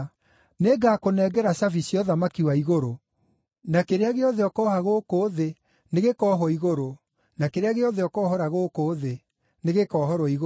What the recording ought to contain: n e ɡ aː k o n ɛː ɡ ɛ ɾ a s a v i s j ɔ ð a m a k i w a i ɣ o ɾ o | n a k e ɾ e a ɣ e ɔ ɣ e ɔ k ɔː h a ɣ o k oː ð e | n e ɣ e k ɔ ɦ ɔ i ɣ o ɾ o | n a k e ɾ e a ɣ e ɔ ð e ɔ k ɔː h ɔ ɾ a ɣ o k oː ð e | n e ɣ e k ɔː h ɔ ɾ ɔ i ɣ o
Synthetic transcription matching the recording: n e ɡ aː k o n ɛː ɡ ɛ ɾ a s a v i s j ɔ ð a m a k i w a i ɣ o ɾ o | n a k e ɾ e a ɣ e ɔ ð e ɔ k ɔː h a ɣ o k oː ð e | n e ɣ e k ɔ ɦ ɔ i ɣ o ɾ o | n a k e ɾ e a ɣ e ɔ ð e ɔ k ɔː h ɔ ɾ a ɣ o k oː ð e | n e ɣ e k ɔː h ɔ ɾ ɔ i ɣ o